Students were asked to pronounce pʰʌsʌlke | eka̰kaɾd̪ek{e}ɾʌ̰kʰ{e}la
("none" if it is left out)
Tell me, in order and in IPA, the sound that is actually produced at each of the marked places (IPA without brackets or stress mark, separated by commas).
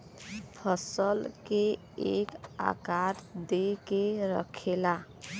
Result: e, e